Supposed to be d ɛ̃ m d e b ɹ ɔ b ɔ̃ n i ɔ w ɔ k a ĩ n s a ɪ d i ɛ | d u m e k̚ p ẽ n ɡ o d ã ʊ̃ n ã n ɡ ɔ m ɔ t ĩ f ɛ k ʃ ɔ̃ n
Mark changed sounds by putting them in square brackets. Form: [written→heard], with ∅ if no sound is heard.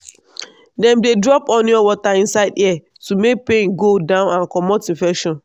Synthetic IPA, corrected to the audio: d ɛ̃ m d e [b→d] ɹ ɔ [b→p] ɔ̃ n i ɔ w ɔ [k→t] a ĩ n s a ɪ d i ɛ | [d→t] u m e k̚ p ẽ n ɡ o d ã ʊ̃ n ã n [ɡ→k] ɔ m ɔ t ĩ f ɛ k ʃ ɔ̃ n